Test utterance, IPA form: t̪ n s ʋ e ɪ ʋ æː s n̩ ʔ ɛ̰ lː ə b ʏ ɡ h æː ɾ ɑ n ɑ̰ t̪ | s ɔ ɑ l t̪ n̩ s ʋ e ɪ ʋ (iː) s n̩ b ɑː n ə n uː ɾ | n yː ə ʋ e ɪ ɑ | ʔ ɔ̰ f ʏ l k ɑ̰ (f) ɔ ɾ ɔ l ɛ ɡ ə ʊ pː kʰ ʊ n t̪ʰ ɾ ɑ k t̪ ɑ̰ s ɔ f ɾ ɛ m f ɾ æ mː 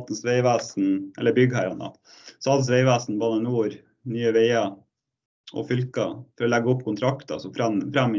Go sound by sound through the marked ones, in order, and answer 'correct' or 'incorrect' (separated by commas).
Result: incorrect, correct